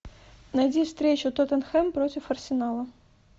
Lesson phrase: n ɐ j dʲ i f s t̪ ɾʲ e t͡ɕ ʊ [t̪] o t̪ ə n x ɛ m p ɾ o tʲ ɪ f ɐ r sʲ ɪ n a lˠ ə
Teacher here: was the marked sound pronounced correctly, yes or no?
yes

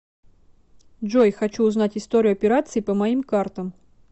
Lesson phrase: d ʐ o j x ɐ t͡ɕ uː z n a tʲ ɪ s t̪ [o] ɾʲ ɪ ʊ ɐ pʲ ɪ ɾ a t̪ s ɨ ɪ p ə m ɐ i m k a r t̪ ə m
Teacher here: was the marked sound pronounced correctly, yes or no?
yes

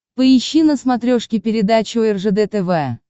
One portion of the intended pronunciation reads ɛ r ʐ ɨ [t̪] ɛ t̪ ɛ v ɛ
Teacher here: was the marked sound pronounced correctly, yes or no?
no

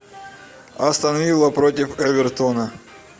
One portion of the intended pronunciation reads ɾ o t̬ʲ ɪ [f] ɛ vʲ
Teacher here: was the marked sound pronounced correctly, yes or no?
yes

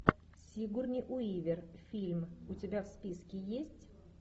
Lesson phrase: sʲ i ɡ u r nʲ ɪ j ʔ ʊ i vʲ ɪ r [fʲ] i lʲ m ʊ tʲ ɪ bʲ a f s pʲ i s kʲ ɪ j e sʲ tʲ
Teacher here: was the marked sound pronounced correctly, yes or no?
yes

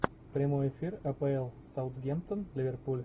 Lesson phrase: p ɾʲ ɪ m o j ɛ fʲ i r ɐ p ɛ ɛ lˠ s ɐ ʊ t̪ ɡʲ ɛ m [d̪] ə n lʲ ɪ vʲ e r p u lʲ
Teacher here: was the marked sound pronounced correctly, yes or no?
no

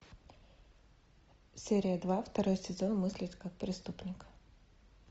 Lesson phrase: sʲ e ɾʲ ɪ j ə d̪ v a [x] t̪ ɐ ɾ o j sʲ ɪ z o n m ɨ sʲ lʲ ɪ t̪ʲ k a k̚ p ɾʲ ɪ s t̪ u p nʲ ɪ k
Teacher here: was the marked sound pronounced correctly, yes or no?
no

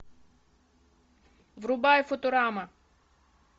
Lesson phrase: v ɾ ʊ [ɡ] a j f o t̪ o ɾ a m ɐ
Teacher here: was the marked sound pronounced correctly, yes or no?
no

